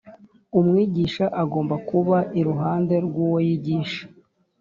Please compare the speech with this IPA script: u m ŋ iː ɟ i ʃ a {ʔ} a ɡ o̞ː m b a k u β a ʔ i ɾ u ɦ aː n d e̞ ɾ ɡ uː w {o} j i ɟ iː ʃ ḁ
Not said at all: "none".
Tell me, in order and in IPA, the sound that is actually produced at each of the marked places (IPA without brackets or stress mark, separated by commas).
ʔ, o